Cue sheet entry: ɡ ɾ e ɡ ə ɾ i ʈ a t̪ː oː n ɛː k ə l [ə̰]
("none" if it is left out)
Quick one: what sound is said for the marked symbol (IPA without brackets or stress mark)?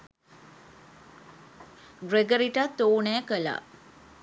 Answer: a̰